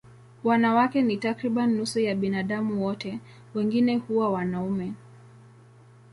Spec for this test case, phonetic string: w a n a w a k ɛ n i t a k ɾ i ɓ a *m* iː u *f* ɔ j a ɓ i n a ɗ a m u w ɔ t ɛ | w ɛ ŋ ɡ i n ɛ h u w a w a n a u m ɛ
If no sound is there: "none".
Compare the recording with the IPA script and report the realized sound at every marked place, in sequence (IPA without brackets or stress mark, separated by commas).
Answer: n, s